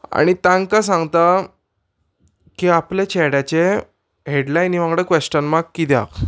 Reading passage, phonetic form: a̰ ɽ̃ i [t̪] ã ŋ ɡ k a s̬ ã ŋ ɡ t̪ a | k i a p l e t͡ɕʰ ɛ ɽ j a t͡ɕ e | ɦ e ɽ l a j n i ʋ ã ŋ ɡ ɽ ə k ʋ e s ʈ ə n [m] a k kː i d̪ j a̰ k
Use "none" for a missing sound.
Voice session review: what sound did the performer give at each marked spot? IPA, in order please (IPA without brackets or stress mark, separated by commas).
t̪, m